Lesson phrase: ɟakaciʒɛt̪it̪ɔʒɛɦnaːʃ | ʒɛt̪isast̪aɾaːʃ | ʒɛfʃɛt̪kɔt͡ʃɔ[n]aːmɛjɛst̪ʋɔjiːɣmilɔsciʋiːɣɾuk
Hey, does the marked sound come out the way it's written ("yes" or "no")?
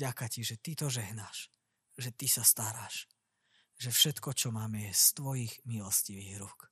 no